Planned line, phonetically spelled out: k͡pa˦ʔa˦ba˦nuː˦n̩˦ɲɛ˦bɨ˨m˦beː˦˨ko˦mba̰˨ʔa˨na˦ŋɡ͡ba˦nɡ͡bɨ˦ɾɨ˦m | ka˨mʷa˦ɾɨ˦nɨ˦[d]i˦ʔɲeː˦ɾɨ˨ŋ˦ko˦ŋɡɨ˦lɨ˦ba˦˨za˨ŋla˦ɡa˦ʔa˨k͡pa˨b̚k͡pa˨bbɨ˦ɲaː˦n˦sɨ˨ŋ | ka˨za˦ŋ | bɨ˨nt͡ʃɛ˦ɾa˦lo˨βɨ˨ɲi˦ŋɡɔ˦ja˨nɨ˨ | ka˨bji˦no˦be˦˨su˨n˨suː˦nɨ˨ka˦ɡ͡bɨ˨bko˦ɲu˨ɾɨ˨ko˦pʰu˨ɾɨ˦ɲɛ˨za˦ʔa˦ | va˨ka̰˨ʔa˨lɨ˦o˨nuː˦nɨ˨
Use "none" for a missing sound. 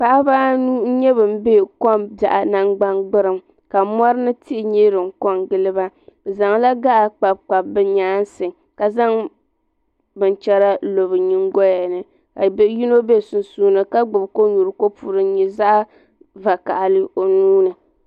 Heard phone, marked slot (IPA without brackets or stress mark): t